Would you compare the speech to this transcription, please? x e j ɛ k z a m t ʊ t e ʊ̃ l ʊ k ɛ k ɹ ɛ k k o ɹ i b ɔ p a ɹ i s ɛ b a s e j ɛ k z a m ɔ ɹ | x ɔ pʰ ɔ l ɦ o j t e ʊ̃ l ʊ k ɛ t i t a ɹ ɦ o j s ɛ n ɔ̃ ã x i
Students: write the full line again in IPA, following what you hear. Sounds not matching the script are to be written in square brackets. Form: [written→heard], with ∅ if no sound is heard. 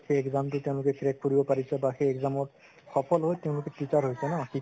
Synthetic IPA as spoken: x e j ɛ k z a m t ʊ t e ʊ̃ l ʊ k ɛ k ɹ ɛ k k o ɹ i b ɔ p a ɹ i s ɛ b a [s→x] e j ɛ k z a m ɔ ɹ | x ɔ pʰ ɔ l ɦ o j t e ʊ̃ l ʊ k ɛ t i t a ɹ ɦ o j s ɛ n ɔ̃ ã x i